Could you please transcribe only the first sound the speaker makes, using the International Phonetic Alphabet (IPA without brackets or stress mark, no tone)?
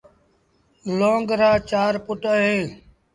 l